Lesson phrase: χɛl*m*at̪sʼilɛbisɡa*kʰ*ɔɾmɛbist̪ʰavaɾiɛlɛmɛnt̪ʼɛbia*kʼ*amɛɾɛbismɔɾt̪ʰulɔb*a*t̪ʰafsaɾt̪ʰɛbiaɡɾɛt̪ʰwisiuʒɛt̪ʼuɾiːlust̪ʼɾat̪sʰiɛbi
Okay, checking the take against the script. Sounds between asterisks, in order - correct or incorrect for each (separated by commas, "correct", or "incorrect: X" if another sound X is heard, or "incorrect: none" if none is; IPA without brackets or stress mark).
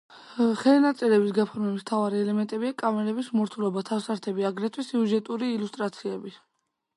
incorrect: n, incorrect: pʰ, correct, correct